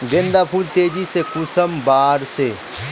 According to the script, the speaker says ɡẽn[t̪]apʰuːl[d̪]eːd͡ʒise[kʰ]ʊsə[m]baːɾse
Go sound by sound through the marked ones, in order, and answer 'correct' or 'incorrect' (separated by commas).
incorrect, incorrect, incorrect, correct